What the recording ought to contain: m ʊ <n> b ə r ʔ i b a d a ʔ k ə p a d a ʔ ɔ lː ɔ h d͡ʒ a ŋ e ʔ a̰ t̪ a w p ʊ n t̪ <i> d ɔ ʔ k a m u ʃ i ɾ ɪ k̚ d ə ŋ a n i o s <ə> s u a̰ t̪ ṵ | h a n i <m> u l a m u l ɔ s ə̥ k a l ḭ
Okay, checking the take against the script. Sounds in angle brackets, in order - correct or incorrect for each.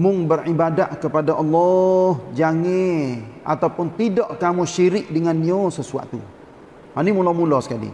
incorrect, correct, correct, correct

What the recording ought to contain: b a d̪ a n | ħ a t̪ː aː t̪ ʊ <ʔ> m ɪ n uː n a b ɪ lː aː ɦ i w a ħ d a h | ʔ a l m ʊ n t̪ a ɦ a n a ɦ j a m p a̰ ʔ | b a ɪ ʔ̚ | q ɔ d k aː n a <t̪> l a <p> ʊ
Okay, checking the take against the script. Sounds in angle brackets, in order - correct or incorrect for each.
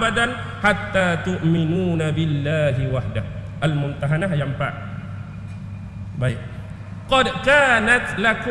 correct, correct, incorrect

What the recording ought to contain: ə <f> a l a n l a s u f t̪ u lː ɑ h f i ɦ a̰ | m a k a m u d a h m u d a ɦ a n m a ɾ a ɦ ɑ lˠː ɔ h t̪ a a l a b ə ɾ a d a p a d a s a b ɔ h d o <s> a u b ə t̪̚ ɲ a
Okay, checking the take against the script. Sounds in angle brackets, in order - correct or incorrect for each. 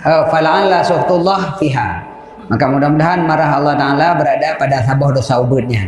correct, correct

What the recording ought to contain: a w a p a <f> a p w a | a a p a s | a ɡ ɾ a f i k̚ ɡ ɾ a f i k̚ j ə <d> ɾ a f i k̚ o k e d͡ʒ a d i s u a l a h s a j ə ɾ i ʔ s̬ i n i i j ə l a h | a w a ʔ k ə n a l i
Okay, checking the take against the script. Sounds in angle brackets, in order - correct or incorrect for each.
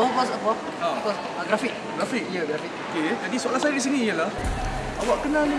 incorrect, incorrect

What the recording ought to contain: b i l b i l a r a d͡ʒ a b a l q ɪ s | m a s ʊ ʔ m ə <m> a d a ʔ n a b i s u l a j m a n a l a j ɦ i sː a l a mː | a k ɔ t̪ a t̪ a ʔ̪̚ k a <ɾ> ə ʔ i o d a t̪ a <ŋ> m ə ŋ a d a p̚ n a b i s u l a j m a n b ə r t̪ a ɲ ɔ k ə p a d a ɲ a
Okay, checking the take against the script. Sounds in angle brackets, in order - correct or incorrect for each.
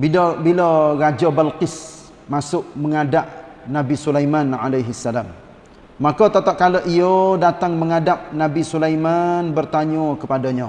incorrect, incorrect, correct

